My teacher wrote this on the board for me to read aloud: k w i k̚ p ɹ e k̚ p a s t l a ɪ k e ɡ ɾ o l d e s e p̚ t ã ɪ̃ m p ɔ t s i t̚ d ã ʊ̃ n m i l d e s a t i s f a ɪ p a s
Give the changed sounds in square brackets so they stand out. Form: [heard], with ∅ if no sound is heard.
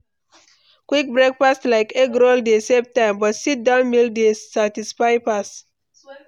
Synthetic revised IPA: k w i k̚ [b] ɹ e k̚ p a s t l a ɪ k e ɡ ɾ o l d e s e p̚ t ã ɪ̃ m [b] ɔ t s i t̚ d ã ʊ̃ n m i l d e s a t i s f a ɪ p a s